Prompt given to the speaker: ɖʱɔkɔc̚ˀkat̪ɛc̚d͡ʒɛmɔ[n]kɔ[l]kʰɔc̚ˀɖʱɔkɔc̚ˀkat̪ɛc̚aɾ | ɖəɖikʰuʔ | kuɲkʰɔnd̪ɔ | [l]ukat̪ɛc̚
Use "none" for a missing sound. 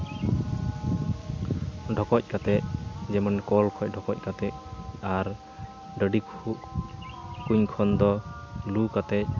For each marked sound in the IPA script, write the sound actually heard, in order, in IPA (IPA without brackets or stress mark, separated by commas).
n, l, l